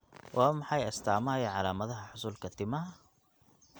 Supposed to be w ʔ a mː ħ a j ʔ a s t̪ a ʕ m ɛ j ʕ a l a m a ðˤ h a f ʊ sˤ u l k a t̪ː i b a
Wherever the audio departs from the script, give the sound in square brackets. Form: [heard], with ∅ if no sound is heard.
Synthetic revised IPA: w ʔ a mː ħ a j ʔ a s t̪ a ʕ m [a] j ʕ a l a m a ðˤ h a [ħ] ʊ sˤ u l k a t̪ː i [m] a